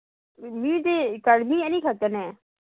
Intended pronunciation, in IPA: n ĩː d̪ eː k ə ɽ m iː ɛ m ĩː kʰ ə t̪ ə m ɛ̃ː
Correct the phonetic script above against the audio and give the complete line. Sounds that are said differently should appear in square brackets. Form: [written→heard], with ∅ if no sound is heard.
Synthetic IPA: [n→m] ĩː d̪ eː k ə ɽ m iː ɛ [m→n] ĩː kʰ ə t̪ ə [m→n] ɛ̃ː